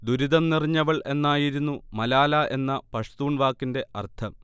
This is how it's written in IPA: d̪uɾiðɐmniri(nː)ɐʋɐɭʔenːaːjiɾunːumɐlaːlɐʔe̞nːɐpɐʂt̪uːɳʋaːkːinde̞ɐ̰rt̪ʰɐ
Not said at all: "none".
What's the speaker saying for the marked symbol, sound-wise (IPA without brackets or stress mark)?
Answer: ɲː